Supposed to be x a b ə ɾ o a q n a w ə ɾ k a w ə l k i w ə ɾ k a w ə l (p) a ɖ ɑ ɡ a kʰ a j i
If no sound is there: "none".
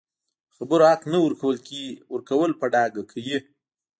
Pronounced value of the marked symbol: p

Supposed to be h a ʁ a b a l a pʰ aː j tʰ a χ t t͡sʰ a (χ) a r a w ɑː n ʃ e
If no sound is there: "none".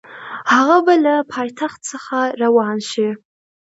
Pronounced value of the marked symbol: χ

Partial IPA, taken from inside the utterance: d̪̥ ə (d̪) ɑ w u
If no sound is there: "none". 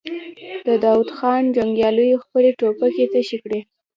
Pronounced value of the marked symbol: d̪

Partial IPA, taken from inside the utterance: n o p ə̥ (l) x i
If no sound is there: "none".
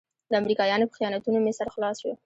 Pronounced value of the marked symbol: none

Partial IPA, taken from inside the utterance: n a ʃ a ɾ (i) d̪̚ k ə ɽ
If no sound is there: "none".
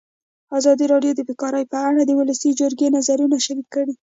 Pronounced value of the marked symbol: i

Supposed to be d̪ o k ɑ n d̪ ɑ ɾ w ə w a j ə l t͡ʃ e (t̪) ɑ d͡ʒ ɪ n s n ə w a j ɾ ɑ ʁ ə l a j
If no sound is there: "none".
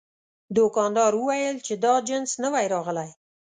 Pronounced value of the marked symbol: d̪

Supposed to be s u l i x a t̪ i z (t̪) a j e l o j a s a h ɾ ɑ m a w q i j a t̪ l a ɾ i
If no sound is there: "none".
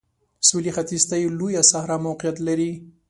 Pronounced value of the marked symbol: t̪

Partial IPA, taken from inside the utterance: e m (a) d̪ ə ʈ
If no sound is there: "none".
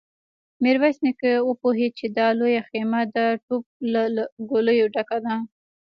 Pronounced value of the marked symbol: a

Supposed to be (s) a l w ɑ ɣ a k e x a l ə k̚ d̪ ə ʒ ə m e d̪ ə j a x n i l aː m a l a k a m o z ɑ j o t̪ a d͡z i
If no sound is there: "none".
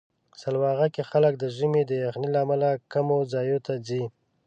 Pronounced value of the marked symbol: s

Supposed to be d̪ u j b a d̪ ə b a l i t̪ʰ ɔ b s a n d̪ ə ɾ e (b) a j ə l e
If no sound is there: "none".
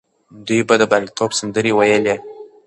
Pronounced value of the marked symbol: w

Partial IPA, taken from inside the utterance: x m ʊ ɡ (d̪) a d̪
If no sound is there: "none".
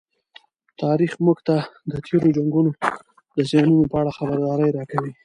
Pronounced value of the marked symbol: t̪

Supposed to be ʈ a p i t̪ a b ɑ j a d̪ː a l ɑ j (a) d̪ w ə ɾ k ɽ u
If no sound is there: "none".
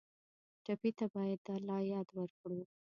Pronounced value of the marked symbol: ɑ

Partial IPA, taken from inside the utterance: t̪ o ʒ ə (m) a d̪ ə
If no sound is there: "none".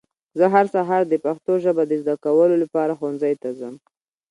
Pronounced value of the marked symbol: b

